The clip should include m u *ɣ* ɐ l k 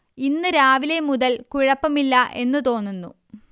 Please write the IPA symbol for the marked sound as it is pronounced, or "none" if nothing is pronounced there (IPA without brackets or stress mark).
ð